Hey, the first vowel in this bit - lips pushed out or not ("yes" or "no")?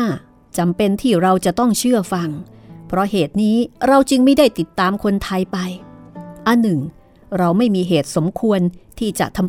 no